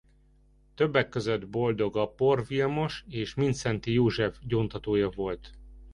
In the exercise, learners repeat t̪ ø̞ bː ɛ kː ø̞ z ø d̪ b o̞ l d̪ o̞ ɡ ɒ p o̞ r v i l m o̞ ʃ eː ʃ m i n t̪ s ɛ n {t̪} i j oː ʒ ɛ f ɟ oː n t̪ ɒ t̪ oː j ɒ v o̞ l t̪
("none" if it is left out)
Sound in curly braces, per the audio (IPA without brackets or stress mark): t̪